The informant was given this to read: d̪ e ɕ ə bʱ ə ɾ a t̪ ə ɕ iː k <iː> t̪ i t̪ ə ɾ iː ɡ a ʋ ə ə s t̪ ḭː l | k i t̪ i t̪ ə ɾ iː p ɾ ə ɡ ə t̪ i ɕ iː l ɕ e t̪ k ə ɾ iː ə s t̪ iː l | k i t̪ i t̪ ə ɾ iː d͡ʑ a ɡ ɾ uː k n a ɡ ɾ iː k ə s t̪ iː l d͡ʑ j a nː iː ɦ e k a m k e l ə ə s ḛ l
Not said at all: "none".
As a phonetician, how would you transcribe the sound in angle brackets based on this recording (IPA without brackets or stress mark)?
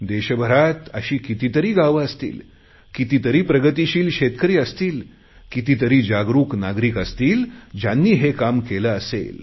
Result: i